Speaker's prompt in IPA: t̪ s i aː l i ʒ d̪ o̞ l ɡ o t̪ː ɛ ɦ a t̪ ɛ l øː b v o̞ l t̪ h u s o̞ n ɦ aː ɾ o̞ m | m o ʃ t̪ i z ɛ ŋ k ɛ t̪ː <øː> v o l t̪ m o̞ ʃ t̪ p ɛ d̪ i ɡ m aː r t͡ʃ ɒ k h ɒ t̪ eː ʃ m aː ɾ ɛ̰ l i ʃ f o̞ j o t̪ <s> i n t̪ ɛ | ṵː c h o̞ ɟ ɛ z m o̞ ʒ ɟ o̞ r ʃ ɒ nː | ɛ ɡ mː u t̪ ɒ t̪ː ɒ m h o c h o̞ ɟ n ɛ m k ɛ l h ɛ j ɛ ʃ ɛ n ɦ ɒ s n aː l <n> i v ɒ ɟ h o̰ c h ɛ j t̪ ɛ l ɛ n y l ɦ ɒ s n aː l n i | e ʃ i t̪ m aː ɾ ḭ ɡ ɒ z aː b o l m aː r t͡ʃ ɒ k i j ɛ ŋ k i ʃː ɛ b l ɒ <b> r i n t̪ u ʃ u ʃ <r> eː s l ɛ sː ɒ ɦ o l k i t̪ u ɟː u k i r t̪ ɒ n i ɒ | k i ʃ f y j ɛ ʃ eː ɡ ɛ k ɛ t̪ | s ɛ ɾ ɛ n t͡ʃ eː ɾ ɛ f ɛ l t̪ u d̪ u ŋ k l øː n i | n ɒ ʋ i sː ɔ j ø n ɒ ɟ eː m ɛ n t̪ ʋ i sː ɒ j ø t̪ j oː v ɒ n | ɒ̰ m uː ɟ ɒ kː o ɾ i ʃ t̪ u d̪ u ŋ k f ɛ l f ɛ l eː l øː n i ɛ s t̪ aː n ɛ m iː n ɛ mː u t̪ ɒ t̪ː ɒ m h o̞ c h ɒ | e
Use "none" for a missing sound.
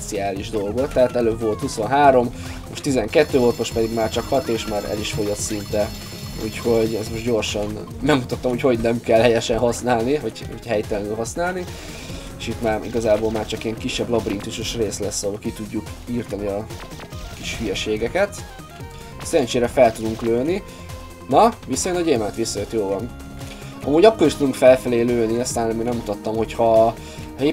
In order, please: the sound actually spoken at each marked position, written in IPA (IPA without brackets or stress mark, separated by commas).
øː, s, n, b, r